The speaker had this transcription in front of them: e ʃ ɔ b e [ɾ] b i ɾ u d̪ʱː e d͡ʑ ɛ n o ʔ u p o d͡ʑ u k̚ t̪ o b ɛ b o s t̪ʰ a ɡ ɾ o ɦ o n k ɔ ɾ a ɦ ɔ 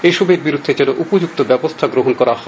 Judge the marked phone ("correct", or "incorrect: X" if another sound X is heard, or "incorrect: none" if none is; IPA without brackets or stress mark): correct